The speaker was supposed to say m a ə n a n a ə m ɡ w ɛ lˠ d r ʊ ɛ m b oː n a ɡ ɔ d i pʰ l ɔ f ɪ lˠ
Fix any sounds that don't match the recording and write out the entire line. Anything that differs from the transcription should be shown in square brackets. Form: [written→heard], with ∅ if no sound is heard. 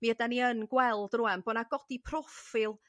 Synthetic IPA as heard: m [a→i] ə [n→d] a n [a→i] ə [m→n] ɡ w ɛ lˠ d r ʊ ɛ m b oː n a ɡ ɔ d i pʰ [l→r] ɔ f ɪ lˠ